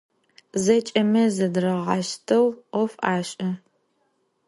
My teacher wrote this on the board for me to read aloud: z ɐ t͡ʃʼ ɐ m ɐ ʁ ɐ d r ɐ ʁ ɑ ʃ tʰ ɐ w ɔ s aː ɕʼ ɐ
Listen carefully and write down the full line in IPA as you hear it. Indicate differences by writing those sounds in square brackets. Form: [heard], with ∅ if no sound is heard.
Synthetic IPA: z ɐ t͡ʃʼ ɐ m ɐ [z] ɐ d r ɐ ʁ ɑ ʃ tʰ ɐ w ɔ [f] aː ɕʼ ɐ